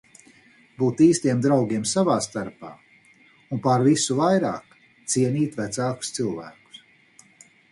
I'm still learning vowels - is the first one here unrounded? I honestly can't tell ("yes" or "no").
no